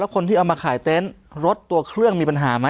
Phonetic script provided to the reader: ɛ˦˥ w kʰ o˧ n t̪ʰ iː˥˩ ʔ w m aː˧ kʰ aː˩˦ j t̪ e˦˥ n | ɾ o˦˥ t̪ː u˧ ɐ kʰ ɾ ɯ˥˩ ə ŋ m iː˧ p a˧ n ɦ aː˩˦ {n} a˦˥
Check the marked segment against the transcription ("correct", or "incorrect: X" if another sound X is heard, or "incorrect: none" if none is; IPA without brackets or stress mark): incorrect: m